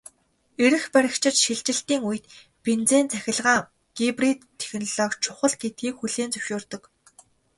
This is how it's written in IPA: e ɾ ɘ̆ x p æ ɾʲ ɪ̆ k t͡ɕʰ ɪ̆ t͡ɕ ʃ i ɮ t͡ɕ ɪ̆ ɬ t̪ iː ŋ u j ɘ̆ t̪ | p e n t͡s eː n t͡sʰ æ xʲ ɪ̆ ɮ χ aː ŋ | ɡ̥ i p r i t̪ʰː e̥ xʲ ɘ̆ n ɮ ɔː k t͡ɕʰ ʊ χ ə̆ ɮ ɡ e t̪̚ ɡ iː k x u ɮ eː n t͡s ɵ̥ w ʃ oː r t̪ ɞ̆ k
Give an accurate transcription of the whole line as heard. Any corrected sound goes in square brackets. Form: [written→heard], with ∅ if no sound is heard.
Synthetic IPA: e ɾ ɘ̆ x p æ ɾʲ ɪ̆ k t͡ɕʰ ɪ̆ t͡ɕ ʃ i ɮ t͡ɕ ɪ̆ ɬ t̪ iː ŋ u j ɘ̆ t̪ | p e n t͡s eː n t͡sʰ æ xʲ ɪ̆ ɮ [χ→ʁ] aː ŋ | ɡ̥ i p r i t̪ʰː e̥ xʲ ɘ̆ n ɮ ɔː k t͡ɕʰ ʊ χ ə̆ ɮ ɡ e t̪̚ ɡ iː k x u ɮ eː n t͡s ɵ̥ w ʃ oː r t̪ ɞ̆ k